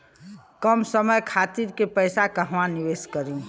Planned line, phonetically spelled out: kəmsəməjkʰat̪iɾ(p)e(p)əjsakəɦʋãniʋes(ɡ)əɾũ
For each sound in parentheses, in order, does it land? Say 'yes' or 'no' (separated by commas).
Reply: no, yes, no